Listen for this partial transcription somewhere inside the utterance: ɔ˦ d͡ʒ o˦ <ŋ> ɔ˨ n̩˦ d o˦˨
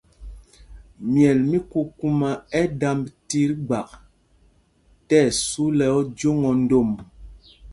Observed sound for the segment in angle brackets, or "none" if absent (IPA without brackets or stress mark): ŋ